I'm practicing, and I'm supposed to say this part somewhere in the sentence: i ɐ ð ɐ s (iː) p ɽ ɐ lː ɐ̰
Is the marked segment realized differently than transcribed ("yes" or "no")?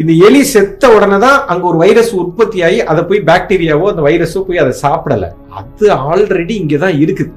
yes